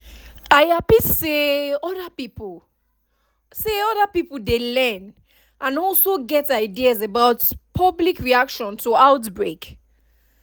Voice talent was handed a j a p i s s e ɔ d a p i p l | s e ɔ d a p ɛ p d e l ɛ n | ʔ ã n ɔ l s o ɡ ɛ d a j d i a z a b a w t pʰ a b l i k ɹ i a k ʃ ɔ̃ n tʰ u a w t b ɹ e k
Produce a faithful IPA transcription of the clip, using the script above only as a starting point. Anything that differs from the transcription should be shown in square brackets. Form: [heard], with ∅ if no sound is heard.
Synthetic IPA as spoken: a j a p i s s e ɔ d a p i p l | s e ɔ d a p [i] p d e l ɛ n | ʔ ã n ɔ l s o ɡ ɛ [t] a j d i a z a b a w t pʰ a b l i k ɹ i a k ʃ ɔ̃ n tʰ u a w t b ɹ e k